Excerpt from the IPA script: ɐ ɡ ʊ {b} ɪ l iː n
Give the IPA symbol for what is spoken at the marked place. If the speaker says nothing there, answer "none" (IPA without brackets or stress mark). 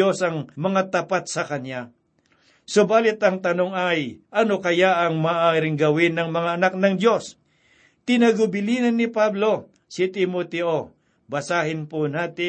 b